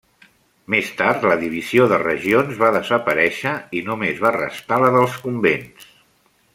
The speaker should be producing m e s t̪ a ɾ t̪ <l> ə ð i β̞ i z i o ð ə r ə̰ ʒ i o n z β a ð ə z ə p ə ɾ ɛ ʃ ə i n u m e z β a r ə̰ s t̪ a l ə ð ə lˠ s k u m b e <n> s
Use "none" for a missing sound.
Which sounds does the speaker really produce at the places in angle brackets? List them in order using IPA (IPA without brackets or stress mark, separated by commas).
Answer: l, n